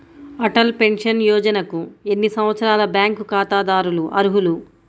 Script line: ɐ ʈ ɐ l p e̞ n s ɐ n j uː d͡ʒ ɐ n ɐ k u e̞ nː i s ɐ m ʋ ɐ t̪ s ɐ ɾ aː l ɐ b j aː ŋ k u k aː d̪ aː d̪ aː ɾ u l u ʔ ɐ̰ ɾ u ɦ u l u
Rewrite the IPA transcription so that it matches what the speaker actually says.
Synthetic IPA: ɐ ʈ ɐ l p e̞ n ʂ ɐ n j ɔː d͡ʒ ɐ n ɐ k u e̞ nː i s ɐ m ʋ ɐ t̪ s ɐ ɾ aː l ɐ b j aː ŋ k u k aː t̪ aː d̪ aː ɾ u l u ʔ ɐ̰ ɾ u ɦ u l u